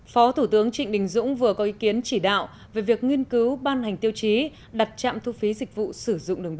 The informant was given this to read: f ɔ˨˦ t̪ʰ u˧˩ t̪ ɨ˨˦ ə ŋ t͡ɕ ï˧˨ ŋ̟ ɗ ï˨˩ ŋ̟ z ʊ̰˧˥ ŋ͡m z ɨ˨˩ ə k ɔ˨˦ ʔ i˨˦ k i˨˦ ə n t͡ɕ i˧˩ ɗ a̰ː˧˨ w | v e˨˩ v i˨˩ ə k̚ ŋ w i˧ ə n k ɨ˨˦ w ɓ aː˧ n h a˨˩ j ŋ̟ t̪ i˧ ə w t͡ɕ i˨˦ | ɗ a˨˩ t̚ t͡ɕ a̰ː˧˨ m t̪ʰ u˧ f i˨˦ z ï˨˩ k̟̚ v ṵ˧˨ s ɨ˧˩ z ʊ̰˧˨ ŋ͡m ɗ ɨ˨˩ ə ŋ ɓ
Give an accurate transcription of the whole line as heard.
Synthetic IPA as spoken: f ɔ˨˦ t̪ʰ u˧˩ t̪ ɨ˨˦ ə ŋ t͡ɕ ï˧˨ ŋ̟ ɗ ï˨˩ ŋ̟ z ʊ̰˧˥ ŋ͡m v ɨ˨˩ ə k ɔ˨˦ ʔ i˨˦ k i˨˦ ə n t͡ɕ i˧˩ ɗ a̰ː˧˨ w | v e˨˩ v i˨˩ ə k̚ ŋ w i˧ ə n k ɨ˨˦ w ɓ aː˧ n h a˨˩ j ŋ̟ t̪ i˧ ə w t͡ɕ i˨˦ | ɗ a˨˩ t̚ t͡ɕ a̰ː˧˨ m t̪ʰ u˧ f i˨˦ z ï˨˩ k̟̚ v ṵ˧˨ s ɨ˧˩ z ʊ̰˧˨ ŋ͡m ɗ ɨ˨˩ ə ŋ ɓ